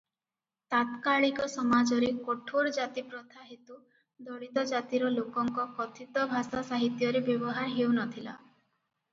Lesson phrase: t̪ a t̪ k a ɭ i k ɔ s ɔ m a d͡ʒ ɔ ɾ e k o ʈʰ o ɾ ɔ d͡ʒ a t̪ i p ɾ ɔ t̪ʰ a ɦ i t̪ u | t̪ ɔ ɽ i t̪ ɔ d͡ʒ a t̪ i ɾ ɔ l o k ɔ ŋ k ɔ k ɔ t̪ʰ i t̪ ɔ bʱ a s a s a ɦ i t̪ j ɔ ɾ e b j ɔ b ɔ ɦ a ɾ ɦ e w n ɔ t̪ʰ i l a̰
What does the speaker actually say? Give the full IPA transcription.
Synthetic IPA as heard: t̪ a t̪ k a ɭ i k ɔ s ɔ m a d͡ʒ ɔ ɾ e k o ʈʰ o ɾ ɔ d͡ʒ a t̪ i p ɾ ɔ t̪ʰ a ɦ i t̪ u | d̪ ɔ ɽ i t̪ ɔ d͡ʒ a t̪ i ɾ ɔ l o k ɔ ŋ k ɔ k ɔ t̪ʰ i t̪ ɔ bʱ a s a s a ɦ i t̪ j ɔ ɾ e b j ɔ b ɔ ɦ a ɾ ɦ e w n ɔ t̪ʰ i l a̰